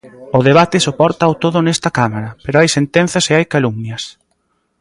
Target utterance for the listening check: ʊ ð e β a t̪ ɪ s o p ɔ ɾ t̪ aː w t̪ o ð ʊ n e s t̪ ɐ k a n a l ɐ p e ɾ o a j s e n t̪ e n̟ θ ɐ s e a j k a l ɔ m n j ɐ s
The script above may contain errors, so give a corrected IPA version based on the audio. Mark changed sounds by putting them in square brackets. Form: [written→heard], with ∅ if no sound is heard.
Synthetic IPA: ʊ ð e β a t̪ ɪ s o p ɔ ɾ t̪ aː w t̪ o ð ʊ n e s t̪ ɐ k a [n→m] a [l→ɾ] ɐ p e ɾ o a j s e n t̪ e n̟ θ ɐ s e a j k a l [ɔ→u] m n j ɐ s